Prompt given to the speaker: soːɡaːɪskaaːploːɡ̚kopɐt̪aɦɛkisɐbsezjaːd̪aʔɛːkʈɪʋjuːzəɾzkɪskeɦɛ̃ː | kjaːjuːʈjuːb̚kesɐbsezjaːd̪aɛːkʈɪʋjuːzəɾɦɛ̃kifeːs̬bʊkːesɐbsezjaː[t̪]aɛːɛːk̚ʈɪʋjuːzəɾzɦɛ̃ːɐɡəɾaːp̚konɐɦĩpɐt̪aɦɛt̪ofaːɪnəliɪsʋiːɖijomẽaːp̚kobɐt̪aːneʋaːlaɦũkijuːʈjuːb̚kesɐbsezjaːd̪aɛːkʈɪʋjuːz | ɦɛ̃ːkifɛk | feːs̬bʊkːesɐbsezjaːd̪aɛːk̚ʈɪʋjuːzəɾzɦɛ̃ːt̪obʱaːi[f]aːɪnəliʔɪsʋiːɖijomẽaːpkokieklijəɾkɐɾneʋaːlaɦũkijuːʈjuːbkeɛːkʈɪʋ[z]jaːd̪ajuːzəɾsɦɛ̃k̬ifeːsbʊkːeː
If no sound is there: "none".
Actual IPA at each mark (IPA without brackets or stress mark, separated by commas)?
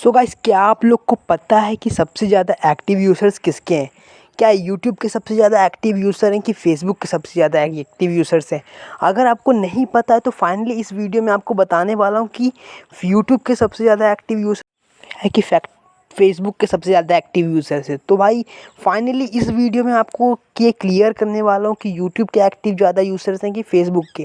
d̪, f, z